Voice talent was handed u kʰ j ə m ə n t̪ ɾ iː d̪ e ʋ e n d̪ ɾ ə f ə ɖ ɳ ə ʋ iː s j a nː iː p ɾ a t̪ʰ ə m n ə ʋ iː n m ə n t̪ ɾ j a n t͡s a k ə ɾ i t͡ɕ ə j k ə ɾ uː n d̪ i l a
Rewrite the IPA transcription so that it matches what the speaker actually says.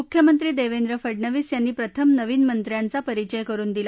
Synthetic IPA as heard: u kʰ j ə m ə n t̪ ɾ iː d̪ e ʋ e n d̪ ɾ ə f ə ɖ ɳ ə ʋ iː s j a nː iː p ɾ ə t̪ʰ ə m n ə ʋ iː n m ə n t̪ ɾ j a n t͡s a p ə ɾ i t͡ɕ ə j k ə ɾ uː n d̪ i l a